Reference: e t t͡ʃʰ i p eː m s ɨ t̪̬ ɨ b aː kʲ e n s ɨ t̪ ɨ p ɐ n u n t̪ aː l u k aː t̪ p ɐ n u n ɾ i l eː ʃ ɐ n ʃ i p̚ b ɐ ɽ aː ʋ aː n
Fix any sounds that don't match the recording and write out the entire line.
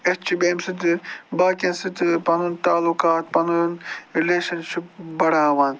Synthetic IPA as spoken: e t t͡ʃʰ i b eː m s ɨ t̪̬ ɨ b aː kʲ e n s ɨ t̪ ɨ p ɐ n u n t̪ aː l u k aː t̪ p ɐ n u n ɾ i l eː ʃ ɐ n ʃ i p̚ b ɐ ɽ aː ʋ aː n